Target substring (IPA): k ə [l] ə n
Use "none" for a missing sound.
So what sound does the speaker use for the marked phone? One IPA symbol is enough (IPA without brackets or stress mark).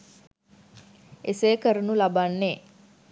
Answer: ɾ